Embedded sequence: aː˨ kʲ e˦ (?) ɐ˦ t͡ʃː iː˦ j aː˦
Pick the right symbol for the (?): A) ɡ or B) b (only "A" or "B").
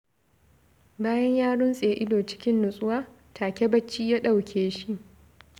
B